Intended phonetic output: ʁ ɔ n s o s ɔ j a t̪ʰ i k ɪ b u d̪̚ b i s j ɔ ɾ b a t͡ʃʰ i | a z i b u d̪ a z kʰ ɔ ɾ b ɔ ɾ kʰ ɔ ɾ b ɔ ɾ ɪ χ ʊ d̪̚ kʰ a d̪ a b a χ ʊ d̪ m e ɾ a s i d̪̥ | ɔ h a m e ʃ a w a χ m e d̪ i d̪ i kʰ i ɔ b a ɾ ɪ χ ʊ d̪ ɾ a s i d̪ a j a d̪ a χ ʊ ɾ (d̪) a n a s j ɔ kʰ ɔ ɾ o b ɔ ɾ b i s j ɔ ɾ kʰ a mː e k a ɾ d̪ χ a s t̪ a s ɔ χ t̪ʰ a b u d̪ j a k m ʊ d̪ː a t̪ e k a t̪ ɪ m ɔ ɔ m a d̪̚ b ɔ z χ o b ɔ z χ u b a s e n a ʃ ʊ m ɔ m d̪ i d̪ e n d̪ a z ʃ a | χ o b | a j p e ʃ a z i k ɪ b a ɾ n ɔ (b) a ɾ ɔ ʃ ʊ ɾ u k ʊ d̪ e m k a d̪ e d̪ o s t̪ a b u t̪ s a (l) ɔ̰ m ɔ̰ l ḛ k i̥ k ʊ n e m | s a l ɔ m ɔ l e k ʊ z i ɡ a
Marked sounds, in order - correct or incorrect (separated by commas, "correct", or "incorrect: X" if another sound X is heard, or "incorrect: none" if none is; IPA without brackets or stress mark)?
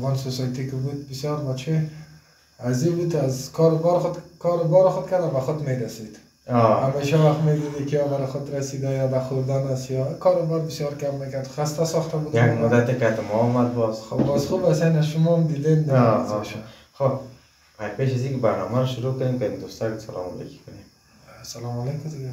correct, incorrect: m, correct